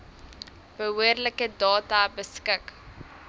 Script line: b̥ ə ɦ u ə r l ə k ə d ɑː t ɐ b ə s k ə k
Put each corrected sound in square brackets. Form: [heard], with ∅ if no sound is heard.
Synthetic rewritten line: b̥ ə ɦ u ə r l ə k ə d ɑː t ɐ b ə s k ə k